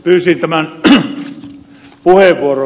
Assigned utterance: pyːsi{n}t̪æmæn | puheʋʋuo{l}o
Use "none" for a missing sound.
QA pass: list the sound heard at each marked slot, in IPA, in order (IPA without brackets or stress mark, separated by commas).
n, r